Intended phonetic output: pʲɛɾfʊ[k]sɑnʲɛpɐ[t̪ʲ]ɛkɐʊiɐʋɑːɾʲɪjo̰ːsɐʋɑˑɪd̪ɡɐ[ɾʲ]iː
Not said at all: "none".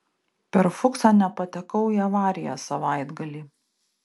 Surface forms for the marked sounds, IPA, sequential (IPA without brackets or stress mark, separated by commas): k, t̪ʲ, lʲ